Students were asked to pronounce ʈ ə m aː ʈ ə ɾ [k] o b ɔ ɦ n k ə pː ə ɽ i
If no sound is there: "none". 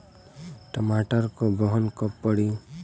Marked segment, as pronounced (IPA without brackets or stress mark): k